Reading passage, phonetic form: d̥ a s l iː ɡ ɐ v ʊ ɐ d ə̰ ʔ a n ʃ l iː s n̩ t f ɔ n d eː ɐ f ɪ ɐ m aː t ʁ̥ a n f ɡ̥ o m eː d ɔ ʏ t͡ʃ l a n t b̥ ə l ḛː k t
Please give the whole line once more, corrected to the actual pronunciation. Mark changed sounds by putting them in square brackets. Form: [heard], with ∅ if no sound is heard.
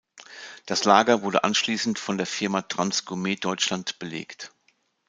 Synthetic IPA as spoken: d̥ a s l [aː] ɡ ɐ v ʊ ɐ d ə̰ ʔ a n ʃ l iː s n̩ t f ɔ n d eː ɐ f ɪ ɐ m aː t ʁ̥ a n [s] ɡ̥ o m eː d ɔ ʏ t͡ʃ l a n t b̥ ə l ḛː k t

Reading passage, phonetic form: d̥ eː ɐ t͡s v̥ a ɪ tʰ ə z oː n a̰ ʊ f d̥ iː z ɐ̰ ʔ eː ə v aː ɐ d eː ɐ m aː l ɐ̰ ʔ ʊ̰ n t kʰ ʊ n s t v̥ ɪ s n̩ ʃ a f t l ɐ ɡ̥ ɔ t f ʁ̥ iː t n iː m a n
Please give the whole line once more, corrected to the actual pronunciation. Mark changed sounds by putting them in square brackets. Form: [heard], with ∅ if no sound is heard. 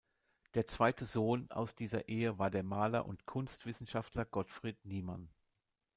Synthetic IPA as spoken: d̥ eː ɐ t͡s v̥ a ɪ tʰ ə z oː n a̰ ʊ [s] d̥ iː z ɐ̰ ʔ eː ə v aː ɐ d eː ɐ m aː l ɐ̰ ʔ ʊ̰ n t kʰ ʊ n s t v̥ ɪ s n̩ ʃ a f t l ɐ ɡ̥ ɔ t f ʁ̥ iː t n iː m a n

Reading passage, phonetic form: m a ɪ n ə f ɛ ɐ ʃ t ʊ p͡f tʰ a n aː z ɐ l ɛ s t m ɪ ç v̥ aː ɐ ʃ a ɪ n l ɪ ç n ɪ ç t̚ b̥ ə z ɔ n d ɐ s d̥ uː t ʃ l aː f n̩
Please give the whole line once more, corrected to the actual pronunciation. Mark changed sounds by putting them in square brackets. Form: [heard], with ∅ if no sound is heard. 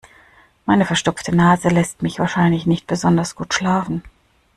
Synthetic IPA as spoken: m a ɪ n ə f ɛ ɐ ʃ t ʊ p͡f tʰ [ə] n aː z [ə] l ɛ s t m ɪ ç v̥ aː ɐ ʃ a ɪ n l ɪ ç n ɪ ç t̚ b̥ ə z ɔ n d ɐ s [ɡ̥] uː t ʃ l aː f n̩

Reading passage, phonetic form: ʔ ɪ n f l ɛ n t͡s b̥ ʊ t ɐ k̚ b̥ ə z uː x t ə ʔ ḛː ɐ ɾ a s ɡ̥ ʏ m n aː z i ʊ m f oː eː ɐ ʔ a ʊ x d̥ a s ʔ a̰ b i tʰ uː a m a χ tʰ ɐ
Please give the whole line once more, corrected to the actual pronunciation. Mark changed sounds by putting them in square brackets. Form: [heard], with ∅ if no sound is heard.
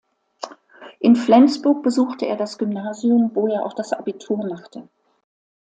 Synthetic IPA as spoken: ʔ ɪ n f l ɛ n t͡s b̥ ʊ [∅] ɐ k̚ b̥ ə z uː x t ə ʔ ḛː ɐ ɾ a s ɡ̥ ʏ m n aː z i ʊ m [v] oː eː ɐ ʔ a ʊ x d̥ a s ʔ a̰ b i tʰ uː [ɐ] m a χ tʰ [ə]

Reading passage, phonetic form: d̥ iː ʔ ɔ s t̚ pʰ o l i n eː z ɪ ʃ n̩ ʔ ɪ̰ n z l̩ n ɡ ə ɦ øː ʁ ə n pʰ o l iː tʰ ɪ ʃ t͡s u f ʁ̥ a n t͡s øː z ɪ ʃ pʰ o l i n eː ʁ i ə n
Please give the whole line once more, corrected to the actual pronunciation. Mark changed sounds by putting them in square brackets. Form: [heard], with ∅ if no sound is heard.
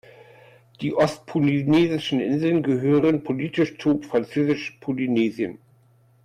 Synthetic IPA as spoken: d̥ iː ʔ ɔ s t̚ pʰ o l i n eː z ɪ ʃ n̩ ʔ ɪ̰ n z l̩ n ɡ ə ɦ øː ʁ ə n pʰ o l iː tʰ ɪ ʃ t͡s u f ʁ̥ a n t͡s øː z ɪ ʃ pʰ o l i n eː [z] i ə n

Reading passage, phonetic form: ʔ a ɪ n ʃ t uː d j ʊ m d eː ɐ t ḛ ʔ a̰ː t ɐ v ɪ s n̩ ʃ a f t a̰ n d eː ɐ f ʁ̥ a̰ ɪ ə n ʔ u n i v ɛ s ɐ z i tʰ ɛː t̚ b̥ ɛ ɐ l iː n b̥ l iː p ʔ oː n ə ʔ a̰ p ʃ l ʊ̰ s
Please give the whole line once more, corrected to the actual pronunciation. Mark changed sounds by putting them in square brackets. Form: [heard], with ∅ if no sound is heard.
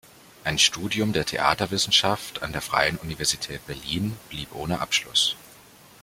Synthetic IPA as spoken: ʔ a ɪ n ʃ t uː d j ʊ m d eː ɐ [tʰ] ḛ ʔ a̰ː t ɐ v ɪ s n̩ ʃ a f t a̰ n d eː ɐ f ʁ̥ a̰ ɪ ə n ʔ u n i v ɛ [∅] ɐ z i tʰ ɛː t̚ b̥ ɛ ɐ l iː n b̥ l iː p ʔ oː n ə ʔ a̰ p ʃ l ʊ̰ s

